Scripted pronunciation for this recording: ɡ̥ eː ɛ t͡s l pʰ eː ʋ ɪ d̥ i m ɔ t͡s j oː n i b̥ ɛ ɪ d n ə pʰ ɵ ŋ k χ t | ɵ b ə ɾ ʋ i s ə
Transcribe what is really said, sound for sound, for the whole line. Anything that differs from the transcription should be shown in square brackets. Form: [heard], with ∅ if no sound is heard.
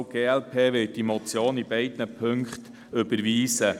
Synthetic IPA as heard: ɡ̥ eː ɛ [∅] l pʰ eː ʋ ɪ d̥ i m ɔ t͡s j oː n i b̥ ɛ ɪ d n ə pʰ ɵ ŋ k χ t | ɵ b ə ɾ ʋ [iː] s ə